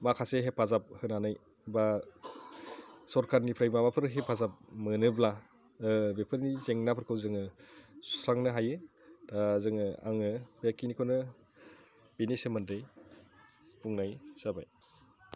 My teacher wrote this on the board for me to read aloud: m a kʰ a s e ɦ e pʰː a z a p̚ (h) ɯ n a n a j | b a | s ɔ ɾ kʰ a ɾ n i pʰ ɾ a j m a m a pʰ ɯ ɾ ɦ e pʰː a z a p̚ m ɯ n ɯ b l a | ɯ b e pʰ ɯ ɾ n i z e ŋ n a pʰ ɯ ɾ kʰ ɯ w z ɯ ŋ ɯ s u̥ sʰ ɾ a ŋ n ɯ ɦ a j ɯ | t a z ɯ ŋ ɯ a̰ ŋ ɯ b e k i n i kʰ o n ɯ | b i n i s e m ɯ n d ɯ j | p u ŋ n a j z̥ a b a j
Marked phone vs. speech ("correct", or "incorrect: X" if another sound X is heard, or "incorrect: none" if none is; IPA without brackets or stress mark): correct